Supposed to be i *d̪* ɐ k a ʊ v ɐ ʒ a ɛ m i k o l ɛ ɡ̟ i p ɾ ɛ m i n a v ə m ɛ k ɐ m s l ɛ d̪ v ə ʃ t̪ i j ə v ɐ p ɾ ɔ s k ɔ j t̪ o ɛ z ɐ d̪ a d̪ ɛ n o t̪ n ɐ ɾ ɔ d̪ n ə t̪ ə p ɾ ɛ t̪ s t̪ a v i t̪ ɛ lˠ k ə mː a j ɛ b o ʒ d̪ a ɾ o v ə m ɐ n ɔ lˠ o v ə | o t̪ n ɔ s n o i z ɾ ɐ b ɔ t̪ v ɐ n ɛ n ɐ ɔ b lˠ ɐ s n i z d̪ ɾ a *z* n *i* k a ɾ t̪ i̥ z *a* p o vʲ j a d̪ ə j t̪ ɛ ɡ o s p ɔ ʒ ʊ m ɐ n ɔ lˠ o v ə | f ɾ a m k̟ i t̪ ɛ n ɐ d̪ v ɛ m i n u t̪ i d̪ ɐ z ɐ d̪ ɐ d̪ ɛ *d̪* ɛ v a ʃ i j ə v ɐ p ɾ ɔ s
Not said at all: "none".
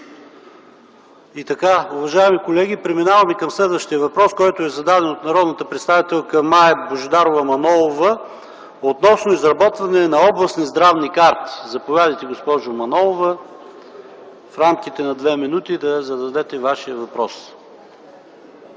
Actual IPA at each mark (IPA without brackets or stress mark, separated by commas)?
t̪, v, i, ɐ, t̪